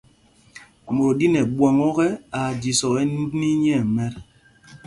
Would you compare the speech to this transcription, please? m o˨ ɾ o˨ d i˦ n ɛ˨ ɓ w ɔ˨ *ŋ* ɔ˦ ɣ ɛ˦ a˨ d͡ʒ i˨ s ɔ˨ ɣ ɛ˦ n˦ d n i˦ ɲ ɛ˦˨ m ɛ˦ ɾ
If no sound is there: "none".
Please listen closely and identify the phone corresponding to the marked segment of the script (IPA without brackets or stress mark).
ŋ